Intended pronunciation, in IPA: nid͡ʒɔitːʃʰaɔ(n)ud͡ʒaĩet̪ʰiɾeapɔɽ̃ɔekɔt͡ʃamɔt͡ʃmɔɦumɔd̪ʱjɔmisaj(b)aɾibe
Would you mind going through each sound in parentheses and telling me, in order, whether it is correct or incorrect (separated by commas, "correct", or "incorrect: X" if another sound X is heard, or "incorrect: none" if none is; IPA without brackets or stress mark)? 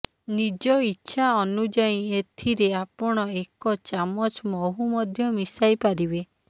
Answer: correct, incorrect: p